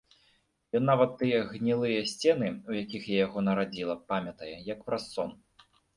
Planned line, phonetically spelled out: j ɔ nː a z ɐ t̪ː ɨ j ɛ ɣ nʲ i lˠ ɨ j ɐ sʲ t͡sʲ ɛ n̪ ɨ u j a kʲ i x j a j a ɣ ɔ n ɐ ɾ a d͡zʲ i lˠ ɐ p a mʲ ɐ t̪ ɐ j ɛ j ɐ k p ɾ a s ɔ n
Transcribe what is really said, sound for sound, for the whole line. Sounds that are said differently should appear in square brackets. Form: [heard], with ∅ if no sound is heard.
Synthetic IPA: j ɔ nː a [v] ɐ t̪ː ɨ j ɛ ɣ nʲ i lˠ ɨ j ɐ sʲ t͡sʲ ɛ n̪ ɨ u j a kʲ i x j a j a ɣ ɔ n ɐ ɾ a d͡zʲ i lˠ ɐ p a mʲ ɐ t̪ ɐ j ɛ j ɐ k p ɾ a s ɔ n

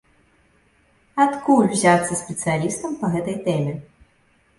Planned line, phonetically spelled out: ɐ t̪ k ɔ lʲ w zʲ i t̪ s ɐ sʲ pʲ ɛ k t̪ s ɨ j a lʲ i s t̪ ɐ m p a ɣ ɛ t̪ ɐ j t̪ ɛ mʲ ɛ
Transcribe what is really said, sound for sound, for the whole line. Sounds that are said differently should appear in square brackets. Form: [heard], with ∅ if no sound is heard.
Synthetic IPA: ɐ t̪ k [u] lʲ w zʲ [a] t̪ s ɐ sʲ pʲ ɛ [∅] t̪ s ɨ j a lʲ i s t̪ ɐ m p [ɐ] ɣ ɛ t̪ ɐ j t̪ ɛ mʲ ɛ

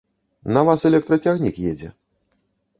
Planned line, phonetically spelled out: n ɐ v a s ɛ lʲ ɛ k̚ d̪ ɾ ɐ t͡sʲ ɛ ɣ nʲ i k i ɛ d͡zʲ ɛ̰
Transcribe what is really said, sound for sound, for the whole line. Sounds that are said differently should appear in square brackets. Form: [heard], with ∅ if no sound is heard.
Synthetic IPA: n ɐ v a s ɛ lʲ ɛ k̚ [t̪] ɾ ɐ t͡sʲ [a] ɣ nʲ i k [j] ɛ d͡zʲ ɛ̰

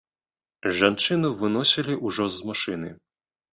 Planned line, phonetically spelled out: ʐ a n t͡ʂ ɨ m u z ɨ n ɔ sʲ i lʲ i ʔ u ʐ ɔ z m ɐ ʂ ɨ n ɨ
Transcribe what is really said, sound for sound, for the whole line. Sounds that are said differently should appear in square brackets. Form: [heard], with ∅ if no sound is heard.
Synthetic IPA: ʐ a n t͡ʂ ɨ [n] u [v] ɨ n ɔ sʲ i lʲ i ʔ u ʐ ɔ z m [a] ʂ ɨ n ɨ

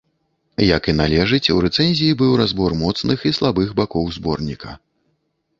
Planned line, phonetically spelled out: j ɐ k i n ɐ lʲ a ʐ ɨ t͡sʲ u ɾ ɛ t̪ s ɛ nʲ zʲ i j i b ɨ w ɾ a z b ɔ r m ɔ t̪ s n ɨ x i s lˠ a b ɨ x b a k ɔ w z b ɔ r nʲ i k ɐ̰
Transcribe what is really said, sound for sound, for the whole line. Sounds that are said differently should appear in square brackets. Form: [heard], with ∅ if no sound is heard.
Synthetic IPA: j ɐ k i n [a] lʲ [ɛ] ʐ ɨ t͡sʲ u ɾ ɛ t̪ s ɛ nʲ zʲ i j i b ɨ w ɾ a z b ɔ r m ɔ t̪ s n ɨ x i s lˠ a b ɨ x b a k ɔ w z b ɔ r nʲ i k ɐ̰

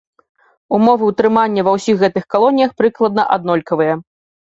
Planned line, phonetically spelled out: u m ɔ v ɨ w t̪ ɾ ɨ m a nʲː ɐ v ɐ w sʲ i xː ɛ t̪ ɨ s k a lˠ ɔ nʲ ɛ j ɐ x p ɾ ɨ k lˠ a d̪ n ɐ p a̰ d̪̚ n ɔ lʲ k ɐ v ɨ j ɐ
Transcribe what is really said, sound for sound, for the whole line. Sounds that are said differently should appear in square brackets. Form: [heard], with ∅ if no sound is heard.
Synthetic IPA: u m ɔ v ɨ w t̪ ɾ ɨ m a nʲː ɐ v ɐ w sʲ i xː ɛ t̪ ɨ [x] k a lˠ ɔ nʲ [i] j ɐ x p ɾ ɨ k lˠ [ɐ] d̪ n ɐ [ʔ] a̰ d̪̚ n ɔ lʲ k ɐ v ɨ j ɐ

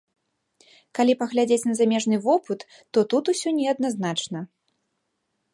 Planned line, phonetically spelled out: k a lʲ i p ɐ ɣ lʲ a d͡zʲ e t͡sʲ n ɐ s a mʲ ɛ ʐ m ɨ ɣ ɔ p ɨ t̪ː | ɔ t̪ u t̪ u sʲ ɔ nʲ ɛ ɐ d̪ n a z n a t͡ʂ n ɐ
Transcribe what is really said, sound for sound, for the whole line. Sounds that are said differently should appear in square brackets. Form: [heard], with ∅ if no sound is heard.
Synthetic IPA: k a lʲ i p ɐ ɣ lʲ a d͡zʲ e t͡sʲ n ɐ [z] a mʲ ɛ ʐ [n] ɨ [v] ɔ p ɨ t̪ː | ɔ t̪ u t̪ u sʲ ɔ nʲ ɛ ɐ d̪ n a z n a t͡ʂ n ɐ

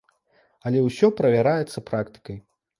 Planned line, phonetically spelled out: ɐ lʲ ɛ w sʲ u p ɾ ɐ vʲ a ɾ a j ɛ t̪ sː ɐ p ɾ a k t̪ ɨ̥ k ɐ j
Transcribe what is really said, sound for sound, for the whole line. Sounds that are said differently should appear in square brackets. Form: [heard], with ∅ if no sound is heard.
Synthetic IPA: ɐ lʲ ɛ w sʲ [ɔ] p ɾ ɐ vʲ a ɾ a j ɛ t̪ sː ɐ p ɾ a k t̪ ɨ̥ k ɐ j

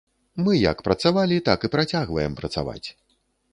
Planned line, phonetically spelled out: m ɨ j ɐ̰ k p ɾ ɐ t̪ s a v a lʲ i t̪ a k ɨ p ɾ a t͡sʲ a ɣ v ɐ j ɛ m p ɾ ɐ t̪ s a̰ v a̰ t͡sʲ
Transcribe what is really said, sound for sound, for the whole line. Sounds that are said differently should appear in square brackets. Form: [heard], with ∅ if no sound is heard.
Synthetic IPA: m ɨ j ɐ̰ k p ɾ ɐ t̪ s a v a lʲ i t̪ a k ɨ p ɾ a t͡sʲ a ɣ v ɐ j ɛ m p ɾ ɐ t̪ s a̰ v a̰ t͡sʲ

